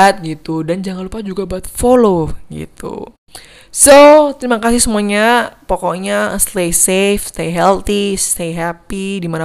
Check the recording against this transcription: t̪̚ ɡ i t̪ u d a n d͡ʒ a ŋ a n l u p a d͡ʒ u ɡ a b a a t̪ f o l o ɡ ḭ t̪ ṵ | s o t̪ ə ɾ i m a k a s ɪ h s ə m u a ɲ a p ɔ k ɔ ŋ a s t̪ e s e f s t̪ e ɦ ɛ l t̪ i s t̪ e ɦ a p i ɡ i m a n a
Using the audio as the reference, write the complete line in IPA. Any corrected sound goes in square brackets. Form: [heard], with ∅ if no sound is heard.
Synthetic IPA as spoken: t̪̚ ɡ i t̪ u d a n d͡ʒ a ŋ a n l u p a d͡ʒ u ɡ a b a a t̪ f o l o ɡ ḭ t̪ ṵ | s o t̪ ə ɾ i m a k a s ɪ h s ə m u a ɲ a p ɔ k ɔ [ɲ] a s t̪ e s e f s t̪ e ɦ ɛ l t̪ i s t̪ e ɦ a p i [d] i m a n a